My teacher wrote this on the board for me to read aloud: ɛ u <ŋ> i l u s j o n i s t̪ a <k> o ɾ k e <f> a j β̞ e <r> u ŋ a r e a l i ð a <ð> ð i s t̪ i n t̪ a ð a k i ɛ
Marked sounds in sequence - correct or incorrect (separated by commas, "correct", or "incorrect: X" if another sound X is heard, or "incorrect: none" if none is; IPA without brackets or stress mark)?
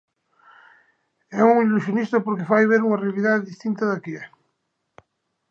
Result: correct, incorrect: p, correct, incorrect: ɾ, correct